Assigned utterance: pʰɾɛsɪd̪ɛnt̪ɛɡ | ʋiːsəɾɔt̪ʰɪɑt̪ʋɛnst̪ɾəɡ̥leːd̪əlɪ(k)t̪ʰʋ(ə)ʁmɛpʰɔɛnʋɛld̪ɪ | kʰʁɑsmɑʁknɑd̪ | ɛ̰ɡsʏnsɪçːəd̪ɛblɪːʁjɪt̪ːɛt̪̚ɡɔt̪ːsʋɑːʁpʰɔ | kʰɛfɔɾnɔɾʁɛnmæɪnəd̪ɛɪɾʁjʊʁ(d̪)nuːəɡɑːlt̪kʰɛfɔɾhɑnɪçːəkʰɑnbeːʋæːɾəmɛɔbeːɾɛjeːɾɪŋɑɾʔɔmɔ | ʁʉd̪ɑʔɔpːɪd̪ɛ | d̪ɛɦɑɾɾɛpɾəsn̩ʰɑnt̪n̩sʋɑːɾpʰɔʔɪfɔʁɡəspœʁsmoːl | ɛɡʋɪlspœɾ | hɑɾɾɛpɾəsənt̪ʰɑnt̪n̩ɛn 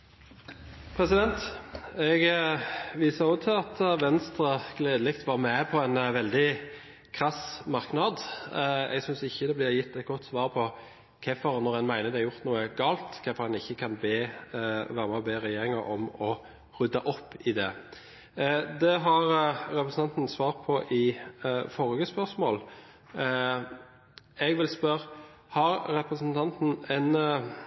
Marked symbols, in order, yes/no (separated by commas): yes, no, no